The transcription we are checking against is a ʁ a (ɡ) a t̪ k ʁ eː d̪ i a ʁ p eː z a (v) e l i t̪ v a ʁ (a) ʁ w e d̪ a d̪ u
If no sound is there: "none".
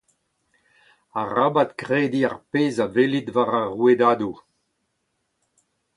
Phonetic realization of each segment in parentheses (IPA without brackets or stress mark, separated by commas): b, v, a